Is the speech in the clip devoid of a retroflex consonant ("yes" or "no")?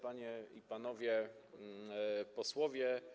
yes